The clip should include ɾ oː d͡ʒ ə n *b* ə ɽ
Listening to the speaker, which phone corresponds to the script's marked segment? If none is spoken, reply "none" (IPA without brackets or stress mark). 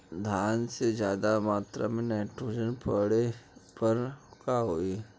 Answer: p